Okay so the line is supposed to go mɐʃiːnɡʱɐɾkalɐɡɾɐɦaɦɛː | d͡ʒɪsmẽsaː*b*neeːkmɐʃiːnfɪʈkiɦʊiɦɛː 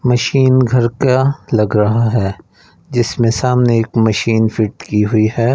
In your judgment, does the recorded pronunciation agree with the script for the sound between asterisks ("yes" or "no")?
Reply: no